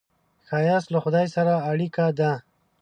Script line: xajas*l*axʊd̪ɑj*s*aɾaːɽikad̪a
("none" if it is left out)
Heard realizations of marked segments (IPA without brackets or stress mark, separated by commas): l, s